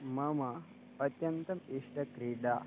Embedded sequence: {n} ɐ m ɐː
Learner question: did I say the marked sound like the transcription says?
no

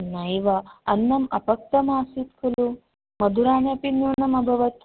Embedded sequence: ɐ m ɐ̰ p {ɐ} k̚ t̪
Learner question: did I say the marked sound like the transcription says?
yes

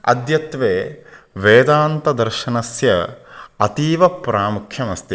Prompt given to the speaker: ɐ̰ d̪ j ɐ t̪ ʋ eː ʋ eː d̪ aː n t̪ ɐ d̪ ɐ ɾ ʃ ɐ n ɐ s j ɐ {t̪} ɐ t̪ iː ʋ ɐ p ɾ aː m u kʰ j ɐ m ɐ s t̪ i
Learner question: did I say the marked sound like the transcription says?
no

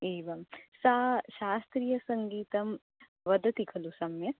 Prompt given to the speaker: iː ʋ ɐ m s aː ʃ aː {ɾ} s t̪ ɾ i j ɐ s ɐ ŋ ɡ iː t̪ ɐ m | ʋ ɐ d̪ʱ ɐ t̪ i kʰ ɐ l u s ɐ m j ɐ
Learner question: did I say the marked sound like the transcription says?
no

